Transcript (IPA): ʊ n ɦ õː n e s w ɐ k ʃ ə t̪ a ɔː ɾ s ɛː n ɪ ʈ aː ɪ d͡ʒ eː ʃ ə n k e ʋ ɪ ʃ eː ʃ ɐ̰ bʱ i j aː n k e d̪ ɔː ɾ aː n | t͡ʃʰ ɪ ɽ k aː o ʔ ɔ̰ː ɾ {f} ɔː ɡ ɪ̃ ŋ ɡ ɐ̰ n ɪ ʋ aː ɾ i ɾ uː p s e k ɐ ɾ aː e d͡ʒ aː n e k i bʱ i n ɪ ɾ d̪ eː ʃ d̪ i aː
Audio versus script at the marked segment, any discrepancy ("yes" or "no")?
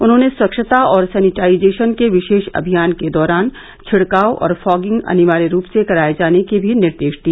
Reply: no